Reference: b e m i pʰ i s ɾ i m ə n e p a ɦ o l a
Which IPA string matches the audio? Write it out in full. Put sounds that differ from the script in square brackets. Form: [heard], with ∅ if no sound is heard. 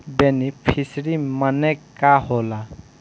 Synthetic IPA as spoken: b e [n] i pʰ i s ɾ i m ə n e [k] a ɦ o l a